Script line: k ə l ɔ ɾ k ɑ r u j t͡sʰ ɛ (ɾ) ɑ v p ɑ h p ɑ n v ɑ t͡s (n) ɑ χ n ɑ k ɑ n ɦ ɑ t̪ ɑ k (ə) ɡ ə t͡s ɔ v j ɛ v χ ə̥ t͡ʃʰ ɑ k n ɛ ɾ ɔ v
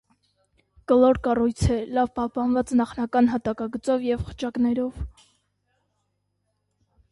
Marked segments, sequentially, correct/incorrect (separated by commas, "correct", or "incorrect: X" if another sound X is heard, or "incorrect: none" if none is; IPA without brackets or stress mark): incorrect: l, correct, incorrect: ɑ